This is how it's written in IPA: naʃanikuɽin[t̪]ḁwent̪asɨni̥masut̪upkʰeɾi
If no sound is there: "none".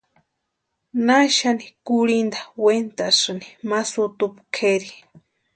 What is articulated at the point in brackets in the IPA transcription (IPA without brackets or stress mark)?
d̪